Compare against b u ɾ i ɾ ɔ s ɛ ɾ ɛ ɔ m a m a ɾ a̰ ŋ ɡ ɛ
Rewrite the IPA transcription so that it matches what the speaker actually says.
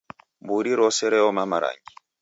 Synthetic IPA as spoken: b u ɾ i ɾ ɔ s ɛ ɾ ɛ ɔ m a m a ɾ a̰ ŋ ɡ i